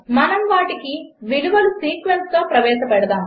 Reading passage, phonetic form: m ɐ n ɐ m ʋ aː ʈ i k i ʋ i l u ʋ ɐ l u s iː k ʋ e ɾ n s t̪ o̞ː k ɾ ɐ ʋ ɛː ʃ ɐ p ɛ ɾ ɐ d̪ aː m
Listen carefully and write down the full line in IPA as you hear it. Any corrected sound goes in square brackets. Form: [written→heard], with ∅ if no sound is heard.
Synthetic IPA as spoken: m ɐ n ɐ m ʋ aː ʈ i k i ʋ i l u ʋ ɐ l u s iː k ʋ e [ɾ→∅] n s t̪ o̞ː [k→p] ɾ ɐ ʋ ɛː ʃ ɐ p ɛ [ɾ→ɽ] ɐ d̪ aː m